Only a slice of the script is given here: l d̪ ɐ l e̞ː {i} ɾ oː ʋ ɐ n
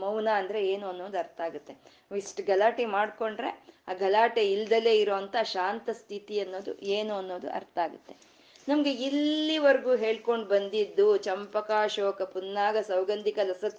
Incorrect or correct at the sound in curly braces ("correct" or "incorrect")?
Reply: correct